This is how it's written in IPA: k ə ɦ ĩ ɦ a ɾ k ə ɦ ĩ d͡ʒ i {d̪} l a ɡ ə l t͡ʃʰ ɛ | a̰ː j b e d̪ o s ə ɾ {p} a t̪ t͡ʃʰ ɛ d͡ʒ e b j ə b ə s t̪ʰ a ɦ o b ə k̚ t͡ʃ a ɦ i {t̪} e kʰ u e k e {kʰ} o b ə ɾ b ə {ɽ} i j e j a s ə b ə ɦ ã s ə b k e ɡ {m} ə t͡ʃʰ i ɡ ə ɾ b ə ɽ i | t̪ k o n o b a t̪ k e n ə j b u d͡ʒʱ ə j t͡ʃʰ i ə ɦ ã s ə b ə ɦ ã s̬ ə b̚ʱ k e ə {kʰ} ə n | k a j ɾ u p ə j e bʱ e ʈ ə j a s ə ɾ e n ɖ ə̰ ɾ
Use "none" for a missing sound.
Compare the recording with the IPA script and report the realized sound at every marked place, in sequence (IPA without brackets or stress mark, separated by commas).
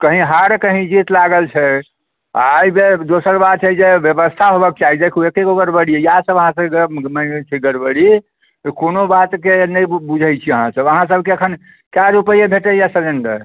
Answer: t̪, b, d̪, k, ɽ, m, kʰ